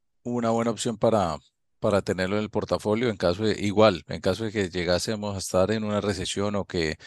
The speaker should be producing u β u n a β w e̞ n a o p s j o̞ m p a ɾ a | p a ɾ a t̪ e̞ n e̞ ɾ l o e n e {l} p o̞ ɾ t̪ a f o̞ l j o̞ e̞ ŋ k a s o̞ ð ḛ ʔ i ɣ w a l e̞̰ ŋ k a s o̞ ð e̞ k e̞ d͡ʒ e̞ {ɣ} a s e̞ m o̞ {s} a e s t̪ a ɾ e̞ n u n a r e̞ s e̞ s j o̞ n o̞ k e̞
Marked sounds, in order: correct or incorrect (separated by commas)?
correct, correct, correct